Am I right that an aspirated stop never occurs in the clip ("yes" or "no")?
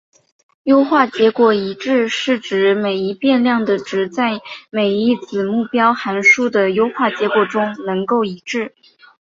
yes